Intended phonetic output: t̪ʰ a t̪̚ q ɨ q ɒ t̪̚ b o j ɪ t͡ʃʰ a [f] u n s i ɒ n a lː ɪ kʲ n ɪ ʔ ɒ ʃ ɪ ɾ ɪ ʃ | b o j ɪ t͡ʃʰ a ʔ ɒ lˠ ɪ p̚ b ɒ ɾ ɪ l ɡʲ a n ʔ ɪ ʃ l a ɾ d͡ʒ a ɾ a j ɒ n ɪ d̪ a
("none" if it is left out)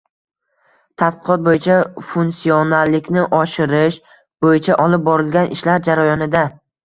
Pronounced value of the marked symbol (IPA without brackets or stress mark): f